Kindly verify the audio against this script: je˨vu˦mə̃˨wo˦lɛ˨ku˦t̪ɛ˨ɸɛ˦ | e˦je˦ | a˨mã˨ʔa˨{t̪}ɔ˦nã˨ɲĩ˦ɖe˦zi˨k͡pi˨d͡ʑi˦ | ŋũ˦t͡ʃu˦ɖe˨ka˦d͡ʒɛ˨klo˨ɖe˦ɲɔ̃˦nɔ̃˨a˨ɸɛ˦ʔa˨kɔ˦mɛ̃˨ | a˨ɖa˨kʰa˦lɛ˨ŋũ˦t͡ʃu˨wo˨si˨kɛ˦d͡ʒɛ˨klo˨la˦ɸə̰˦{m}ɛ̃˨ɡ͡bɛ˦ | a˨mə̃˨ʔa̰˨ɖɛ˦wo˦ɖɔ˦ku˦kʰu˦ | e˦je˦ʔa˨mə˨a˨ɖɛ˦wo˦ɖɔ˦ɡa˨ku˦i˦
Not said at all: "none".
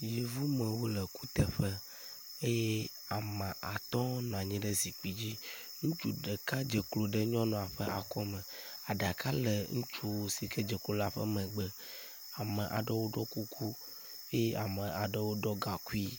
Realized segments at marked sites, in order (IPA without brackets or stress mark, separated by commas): t̪, m